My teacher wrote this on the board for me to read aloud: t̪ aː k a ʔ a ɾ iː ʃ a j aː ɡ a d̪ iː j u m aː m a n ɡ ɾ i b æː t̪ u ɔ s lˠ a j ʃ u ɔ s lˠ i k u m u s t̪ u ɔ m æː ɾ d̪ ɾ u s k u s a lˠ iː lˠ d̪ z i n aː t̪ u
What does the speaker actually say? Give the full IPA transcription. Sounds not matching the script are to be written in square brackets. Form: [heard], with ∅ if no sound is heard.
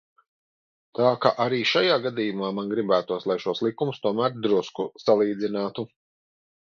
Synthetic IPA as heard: t̪ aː k a ʔ a ɾ iː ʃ a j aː ɡ a d̪ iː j u m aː m a n ɡ ɾ i b æː t̪ u ɔ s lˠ a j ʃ u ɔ s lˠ i k u m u s t̪ u ɔ m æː ɾ d̪ ɾ u s k u s a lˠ iː [∅] d̪ z i n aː t̪ u

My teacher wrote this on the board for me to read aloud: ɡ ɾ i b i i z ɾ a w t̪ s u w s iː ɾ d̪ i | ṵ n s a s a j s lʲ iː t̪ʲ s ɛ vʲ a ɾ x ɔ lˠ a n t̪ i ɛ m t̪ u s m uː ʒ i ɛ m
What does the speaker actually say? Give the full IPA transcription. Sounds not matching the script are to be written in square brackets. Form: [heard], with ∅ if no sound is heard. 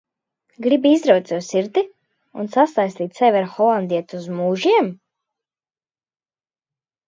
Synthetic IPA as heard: ɡ ɾ i b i i z ɾ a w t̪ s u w s [i] ɾ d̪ i | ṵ n s a s a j s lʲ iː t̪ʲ s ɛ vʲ a ɾ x ɔ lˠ a n [d̪] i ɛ [∅] t̪ u [z] m uː ʒ i ɛ m

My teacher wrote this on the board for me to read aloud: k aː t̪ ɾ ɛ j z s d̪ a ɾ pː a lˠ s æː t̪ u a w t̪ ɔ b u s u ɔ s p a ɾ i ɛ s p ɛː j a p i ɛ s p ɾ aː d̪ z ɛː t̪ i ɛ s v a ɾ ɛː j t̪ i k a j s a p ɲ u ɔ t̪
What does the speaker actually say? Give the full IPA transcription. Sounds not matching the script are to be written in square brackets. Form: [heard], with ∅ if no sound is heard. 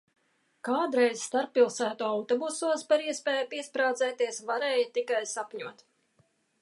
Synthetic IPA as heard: k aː [d̪] ɾ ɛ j z s [t̪] a ɾ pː [i] lˠ s æː t̪ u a w t̪ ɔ b u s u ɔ s p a ɾ i ɛ s p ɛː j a p i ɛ s p ɾ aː d̪ z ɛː t̪ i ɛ s v a ɾ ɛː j t̪ i k a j s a p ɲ u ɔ t̪

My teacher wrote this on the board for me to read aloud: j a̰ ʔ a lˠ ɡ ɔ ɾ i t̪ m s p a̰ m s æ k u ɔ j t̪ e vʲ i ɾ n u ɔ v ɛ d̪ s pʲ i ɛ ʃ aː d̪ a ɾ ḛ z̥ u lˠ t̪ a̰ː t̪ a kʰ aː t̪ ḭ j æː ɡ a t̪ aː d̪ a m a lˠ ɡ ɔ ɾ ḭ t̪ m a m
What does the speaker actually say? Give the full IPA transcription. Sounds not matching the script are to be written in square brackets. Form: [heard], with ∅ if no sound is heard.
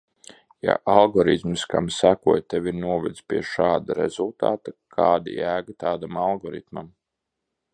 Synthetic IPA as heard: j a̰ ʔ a lˠ ɡ ɔ ɾ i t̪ m s [k] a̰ m s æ k u ɔ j t̪ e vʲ i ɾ n u ɔ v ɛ d̪ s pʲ i ɛ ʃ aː d̪ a ɾ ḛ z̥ u lˠ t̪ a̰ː t̪ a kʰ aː [d̪] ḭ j æː ɡ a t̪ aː d̪ a m a lˠ ɡ ɔ ɾ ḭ t̪ m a m

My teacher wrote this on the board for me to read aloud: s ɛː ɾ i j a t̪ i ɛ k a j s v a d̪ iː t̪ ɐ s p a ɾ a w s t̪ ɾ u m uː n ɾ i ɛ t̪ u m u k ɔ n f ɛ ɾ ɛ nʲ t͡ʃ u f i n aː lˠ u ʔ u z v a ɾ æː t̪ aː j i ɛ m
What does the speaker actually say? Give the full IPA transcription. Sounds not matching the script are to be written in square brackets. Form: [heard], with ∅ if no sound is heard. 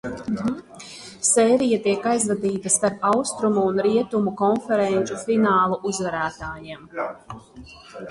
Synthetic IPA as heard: s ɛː ɾ i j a t̪ i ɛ k a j [z] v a d̪ iː t̪ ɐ s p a ɾ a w s t̪ ɾ u m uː n ɾ i ɛ t̪ u m u k ɔ n f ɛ ɾ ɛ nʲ t͡ʃ u f i n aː lˠ u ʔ u z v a ɾ æː t̪ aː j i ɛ m

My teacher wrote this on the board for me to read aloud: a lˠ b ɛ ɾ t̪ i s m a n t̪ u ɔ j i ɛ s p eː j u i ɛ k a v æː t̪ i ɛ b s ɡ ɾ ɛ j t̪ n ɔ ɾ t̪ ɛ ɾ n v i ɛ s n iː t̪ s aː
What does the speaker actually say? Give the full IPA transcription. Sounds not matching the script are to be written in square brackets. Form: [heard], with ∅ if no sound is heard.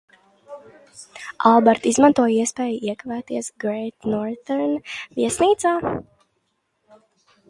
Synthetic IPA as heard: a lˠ b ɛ ɾ t̪ i [z] m a n t̪ u ɔ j i ɛ s p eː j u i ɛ k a v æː t̪ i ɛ [∅] s ɡ ɾ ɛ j t̪ n ɔ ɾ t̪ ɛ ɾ n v i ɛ s n iː t̪ s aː

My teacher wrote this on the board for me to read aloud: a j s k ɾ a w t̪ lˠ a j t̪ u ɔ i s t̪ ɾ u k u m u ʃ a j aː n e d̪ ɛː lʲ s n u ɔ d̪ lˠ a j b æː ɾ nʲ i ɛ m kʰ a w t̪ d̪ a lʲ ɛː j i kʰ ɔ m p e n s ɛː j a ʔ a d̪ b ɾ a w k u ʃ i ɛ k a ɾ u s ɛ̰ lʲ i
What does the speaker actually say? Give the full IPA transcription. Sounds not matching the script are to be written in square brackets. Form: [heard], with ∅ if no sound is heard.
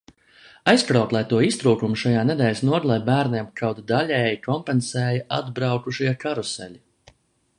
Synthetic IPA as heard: a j s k ɾ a w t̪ lˠ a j t̪ u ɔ i s t̪ ɾ [uː] k u m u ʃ a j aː n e d̪ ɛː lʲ s n u ɔ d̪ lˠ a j b æː ɾ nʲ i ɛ m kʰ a w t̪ d̪ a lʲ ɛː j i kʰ ɔ m p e n s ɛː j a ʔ a d̪ b ɾ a w k u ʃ i ɛ k a ɾ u s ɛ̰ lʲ i

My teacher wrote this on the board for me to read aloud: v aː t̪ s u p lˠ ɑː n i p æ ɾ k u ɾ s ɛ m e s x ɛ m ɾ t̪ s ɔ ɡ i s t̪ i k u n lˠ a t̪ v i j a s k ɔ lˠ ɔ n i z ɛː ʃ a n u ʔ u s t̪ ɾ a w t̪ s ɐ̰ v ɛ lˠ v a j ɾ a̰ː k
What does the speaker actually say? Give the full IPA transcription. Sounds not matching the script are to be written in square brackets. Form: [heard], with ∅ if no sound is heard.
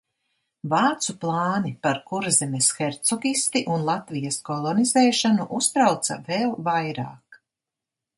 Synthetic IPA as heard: v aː t̪ s u p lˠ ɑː n i p [a] ɾ k u ɾ [z] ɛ m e s x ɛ [∅] ɾ t̪ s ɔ ɡ i s t̪ i [ʔ] u n lˠ a t̪ v i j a s k ɔ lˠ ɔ n i z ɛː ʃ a n u ʔ u s t̪ ɾ a w t̪ s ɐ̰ v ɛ lˠ v a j ɾ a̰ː k

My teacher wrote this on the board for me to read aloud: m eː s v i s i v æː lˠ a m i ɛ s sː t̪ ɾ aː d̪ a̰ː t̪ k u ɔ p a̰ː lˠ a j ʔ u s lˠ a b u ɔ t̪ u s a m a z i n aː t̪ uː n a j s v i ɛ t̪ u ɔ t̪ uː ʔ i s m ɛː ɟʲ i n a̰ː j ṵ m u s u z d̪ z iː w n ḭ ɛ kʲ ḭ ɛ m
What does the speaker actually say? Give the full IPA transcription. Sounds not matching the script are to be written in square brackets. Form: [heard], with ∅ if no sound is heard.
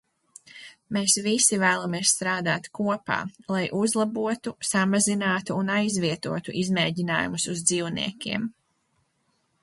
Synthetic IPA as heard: m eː s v i s i v æː lˠ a m i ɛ s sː t̪ ɾ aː d̪ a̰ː t̪ k u ɔ p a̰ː lˠ a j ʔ u [z] lˠ a b u ɔ t̪ u s a m a z i n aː t̪ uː n a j [z] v i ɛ t̪ u ɔ t̪ [u] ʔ i [z] m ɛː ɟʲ i n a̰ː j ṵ m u s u z d̪ z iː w n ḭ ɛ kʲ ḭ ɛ m

